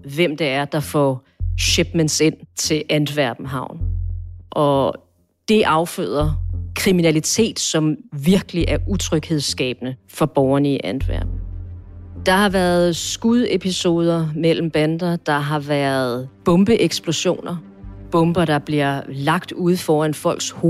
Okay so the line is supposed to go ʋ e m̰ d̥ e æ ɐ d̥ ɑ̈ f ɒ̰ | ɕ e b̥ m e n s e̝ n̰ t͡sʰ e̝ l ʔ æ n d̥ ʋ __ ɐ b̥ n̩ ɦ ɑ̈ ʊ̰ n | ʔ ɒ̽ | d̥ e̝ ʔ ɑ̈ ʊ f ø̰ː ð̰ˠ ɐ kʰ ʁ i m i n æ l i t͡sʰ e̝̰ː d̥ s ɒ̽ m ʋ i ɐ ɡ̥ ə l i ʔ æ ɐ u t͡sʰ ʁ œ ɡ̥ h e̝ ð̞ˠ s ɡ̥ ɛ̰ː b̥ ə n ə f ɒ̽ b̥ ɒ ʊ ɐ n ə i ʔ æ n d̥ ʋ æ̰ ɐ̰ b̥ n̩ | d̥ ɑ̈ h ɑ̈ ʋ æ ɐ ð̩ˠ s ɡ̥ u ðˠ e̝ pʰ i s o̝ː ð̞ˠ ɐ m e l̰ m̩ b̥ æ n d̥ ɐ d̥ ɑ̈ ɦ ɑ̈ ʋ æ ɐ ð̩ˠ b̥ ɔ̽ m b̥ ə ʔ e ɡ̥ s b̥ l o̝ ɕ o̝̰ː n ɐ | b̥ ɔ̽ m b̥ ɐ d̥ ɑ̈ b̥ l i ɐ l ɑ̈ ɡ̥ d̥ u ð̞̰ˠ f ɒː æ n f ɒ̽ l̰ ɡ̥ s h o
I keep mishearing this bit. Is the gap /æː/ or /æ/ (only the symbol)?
æ